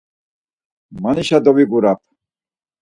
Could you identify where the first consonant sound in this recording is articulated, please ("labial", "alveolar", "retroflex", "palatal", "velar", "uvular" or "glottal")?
labial